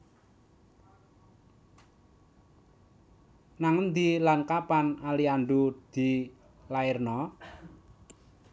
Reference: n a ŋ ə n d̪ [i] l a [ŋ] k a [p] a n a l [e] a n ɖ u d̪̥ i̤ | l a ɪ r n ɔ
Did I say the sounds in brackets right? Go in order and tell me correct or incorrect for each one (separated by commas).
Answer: correct, incorrect, correct, incorrect